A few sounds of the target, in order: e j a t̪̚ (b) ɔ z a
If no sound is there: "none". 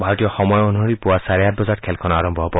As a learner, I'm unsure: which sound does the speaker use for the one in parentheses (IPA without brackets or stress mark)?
b